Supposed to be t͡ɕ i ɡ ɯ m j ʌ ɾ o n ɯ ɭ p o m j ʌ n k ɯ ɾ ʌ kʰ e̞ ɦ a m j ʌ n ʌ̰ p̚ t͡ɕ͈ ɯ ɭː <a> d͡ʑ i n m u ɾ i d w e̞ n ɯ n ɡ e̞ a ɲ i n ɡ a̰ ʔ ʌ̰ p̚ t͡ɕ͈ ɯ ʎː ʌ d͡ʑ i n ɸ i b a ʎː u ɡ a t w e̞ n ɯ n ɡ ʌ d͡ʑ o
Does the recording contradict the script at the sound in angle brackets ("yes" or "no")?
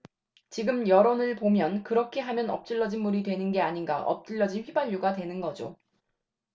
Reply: yes